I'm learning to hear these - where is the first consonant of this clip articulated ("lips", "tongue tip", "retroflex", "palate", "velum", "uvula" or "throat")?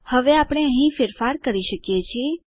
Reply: throat